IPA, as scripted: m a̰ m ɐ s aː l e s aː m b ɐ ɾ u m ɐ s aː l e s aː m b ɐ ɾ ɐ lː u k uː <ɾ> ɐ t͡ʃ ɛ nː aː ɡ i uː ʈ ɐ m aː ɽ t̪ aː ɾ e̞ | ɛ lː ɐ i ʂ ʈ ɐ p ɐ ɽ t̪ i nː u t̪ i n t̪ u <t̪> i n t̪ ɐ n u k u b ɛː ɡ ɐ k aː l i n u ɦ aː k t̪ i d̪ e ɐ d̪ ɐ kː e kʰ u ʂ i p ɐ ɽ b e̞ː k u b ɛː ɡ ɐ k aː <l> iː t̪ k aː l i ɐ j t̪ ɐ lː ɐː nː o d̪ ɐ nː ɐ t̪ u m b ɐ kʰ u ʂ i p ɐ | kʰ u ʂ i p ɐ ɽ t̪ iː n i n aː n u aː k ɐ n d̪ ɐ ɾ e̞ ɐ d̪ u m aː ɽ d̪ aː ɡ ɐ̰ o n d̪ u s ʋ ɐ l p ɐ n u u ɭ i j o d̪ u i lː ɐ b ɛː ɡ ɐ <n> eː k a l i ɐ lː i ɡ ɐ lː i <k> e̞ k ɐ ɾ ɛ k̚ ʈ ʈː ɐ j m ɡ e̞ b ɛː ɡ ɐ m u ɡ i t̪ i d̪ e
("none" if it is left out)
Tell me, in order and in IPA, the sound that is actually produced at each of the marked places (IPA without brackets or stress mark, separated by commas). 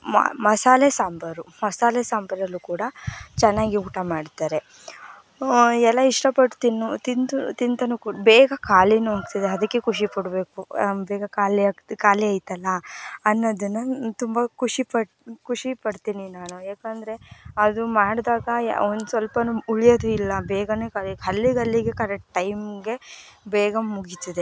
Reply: ɽ, t̪, l, n, ɡ